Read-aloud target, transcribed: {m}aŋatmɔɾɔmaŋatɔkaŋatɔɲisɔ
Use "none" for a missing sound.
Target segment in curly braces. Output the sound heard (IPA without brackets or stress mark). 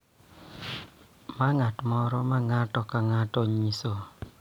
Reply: m